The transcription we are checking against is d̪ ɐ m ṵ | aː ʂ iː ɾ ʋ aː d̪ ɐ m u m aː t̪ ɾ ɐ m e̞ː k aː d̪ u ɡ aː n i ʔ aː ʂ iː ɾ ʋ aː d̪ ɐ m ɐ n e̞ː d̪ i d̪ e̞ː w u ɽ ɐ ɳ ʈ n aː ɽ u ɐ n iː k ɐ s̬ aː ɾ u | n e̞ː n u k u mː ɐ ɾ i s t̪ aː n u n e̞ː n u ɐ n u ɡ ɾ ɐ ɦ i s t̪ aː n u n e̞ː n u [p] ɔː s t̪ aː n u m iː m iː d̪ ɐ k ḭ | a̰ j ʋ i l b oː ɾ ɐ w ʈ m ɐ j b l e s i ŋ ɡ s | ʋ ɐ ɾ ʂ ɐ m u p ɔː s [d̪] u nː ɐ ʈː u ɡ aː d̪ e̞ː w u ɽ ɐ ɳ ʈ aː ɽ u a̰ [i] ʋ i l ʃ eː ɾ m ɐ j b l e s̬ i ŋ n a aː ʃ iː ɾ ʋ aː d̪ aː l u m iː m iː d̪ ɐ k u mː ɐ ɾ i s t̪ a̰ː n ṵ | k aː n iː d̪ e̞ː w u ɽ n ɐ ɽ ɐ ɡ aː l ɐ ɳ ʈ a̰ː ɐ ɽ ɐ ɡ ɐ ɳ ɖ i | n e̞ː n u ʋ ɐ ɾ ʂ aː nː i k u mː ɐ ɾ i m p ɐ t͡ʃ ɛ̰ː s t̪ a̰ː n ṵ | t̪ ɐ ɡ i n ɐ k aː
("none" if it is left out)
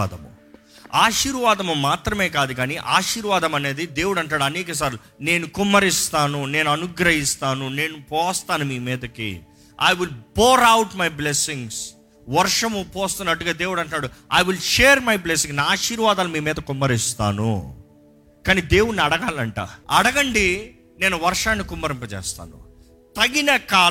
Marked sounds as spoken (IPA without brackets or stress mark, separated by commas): p, t̪, j